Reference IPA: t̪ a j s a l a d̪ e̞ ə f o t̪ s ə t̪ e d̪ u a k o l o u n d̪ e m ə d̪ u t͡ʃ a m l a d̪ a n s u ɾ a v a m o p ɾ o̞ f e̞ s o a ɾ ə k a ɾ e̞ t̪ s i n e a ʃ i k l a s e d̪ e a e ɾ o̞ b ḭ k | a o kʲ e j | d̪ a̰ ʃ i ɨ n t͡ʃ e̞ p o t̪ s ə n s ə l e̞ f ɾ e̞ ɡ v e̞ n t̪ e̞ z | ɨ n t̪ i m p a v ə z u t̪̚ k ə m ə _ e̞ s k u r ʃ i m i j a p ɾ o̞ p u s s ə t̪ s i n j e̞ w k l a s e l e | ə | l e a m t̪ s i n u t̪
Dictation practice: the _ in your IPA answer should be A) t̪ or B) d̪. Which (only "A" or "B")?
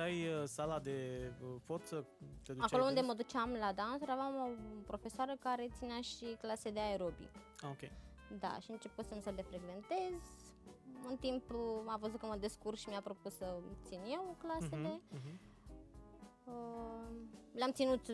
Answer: B